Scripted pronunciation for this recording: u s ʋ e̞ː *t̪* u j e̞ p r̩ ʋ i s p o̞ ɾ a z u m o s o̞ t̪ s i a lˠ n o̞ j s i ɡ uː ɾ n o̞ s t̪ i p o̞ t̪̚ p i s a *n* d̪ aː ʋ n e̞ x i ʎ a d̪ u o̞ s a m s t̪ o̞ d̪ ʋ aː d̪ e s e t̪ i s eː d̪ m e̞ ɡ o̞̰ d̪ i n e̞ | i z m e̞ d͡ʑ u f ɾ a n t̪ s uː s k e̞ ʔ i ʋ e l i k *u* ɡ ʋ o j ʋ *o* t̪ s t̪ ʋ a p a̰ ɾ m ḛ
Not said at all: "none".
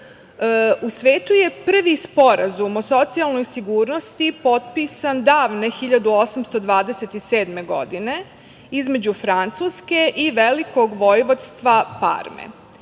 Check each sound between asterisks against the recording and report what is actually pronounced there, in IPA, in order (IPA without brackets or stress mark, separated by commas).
t̪, n, o, o